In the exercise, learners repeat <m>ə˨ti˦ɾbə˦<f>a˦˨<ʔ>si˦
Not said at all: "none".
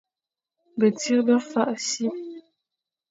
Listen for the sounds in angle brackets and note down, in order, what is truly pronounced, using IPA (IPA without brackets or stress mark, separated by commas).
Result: b, f, ʔ